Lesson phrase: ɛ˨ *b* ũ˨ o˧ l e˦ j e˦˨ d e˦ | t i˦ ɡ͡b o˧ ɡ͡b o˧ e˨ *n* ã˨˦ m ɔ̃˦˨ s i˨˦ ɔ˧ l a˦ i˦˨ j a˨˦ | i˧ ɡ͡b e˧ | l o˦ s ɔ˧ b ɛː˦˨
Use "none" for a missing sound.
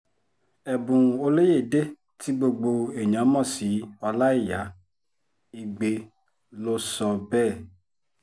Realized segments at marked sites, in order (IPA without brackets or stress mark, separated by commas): b, ɲ